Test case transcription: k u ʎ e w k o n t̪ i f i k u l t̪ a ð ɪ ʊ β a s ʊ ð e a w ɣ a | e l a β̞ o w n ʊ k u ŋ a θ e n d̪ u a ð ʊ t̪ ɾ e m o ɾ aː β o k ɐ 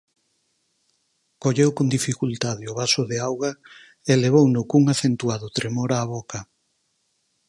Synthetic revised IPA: k o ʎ e w k o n d̪ i f i k u l t̪ a ð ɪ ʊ β a s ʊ ð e a w ɣ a | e l e β̞ o w n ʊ k u ŋ a θ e n t̪ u a ð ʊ t̪ ɾ e m o ɾ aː β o k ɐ